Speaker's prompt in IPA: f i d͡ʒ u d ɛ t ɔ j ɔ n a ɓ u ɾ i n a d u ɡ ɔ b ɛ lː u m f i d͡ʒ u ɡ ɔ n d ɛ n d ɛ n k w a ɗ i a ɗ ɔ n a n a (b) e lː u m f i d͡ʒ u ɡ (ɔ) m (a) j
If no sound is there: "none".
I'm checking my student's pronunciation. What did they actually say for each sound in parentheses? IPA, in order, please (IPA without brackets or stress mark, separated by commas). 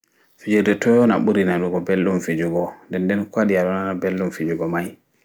b, ɔ, a